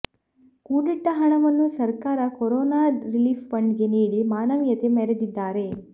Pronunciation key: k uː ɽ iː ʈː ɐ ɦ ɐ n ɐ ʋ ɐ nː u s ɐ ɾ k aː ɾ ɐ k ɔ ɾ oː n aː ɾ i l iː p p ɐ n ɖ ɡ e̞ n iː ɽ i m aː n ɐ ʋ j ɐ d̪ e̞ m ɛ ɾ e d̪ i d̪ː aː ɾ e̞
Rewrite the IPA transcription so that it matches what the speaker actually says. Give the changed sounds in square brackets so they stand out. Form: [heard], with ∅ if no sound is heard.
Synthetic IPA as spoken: k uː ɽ [i] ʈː ɐ ɦ ɐ [ɳ] ɐ ʋ ɐ nː u s ɐ ɾ k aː ɾ ɐ k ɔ ɾ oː n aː ɾ i l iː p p ɐ [ɳ] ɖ ɡ e̞ n iː ɽ i m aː n ɐ ʋ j ɐ [t̪] e̞ m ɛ ɾ e d̪ i d̪ː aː ɾ e̞